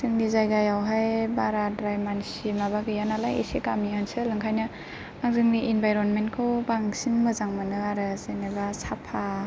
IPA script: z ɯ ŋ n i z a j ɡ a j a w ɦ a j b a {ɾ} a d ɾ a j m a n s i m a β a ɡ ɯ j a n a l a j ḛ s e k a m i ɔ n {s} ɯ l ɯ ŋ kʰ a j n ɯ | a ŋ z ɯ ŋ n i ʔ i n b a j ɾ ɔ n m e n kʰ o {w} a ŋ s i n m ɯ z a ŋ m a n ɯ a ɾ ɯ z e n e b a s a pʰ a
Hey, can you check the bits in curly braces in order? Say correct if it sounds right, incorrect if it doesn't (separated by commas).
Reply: correct, correct, incorrect